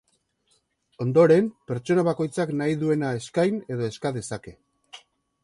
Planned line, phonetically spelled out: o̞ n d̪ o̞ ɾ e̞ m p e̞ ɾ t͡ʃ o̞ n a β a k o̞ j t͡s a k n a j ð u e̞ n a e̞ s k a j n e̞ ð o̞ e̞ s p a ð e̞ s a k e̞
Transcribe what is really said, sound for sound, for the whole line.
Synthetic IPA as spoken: o̞ n d̪ o̞ ɾ e̞ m p e̞ ɾ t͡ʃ o̞ n a β a k o̞ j t͡s a k n a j ð u e̞ n a e̞ s k a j n e̞ ð o̞ e̞ s k a ð e̞ s a k e̞